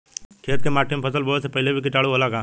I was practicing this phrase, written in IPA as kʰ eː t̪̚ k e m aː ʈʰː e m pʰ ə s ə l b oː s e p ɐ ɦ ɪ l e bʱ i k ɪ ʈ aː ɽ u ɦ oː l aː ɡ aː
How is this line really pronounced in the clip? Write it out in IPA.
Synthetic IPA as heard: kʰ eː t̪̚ k e m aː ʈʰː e m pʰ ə s ə l b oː s e p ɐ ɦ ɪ l e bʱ i k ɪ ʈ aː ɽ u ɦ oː l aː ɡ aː